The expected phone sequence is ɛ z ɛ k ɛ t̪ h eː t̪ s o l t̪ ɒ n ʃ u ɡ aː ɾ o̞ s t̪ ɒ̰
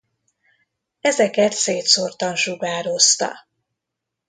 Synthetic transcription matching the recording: ɛ z ɛ k ɛ t̪ s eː t̪ s o r t̪ ɒ n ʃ u ɡ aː ɾ o̞ s t̪ ɒ̰